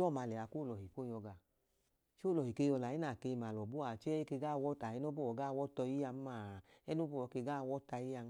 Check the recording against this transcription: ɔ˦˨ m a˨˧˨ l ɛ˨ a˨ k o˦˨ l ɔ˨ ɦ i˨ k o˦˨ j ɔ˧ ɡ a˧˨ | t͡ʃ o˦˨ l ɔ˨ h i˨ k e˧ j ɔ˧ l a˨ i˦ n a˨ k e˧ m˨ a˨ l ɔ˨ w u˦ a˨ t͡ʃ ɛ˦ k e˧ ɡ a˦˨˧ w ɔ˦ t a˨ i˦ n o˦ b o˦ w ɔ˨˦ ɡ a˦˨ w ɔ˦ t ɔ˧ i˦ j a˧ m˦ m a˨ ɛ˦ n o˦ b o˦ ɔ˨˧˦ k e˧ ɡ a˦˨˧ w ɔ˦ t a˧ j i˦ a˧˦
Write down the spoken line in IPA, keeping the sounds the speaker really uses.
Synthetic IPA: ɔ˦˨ m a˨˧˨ l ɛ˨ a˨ k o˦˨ l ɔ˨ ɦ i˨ k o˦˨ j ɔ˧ ɡ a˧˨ | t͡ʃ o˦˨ l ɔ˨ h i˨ k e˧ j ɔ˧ l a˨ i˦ n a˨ k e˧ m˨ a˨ l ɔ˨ b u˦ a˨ t͡ʃ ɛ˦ k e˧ ɡ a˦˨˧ w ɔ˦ t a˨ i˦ n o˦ b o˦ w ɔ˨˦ ɡ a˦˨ w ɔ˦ t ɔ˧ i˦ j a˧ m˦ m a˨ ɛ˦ n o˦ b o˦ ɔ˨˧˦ k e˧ ɡ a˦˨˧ w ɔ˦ t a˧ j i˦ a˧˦